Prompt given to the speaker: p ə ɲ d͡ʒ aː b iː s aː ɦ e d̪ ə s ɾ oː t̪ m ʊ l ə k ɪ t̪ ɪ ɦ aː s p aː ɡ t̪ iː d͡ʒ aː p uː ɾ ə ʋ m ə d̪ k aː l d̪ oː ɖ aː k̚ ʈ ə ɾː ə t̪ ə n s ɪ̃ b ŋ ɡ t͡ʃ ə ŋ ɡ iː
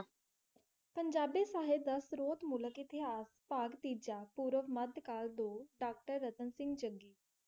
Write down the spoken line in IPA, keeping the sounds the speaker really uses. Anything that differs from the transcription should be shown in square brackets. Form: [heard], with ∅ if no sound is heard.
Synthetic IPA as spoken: p ə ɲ d͡ʒ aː b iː s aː ɦ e d̪ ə s ɾ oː t̪ m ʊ l ə k ɪ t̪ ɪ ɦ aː s p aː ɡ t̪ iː d͡ʒ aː p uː ɾ ə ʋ m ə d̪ k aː l d̪ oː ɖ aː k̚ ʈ ə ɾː ə t̪ ə n s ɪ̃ [∅] ŋ ɡ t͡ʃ ə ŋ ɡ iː